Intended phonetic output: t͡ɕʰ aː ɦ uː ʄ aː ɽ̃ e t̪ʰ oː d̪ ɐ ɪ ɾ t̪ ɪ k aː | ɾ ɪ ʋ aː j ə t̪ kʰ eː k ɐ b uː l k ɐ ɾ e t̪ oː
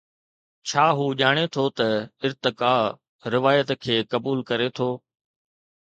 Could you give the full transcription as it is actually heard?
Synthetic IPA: t͡ɕʰ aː ɦ uː ʄ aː ɽ̃ e t̪ʰ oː t̪ ɐ ɪ ɾ t̪ ɪ k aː | ɾ ɪ ʋ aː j ə t̪ kʰ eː k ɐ b uː l k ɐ ɾ e t̪ʰ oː